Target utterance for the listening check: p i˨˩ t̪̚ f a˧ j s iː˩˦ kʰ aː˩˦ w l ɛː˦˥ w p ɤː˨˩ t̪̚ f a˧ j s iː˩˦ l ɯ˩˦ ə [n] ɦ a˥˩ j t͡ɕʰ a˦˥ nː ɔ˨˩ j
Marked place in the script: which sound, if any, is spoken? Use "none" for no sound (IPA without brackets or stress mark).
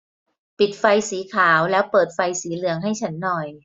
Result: ŋ